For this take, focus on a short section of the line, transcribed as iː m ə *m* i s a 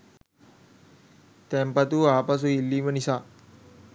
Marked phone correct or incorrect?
incorrect